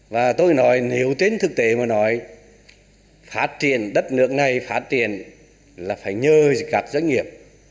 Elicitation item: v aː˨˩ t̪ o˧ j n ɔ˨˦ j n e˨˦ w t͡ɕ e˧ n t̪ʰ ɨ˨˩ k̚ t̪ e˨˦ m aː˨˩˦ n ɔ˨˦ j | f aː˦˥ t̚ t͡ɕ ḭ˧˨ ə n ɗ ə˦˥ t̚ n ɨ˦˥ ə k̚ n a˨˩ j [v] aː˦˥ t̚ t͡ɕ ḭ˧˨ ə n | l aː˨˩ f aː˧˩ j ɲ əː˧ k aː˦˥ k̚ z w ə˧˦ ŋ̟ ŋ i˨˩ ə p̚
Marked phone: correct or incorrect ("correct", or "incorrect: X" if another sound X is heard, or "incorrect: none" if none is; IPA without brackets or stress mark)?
incorrect: f